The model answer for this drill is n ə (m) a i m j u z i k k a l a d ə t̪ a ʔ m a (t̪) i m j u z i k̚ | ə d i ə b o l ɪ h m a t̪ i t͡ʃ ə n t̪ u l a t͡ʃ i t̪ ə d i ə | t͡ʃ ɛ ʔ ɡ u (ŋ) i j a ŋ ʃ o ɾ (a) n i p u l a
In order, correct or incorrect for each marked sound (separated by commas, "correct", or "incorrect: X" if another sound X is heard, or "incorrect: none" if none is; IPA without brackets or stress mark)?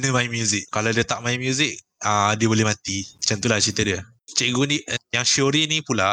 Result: correct, incorrect: none, incorrect: n, incorrect: i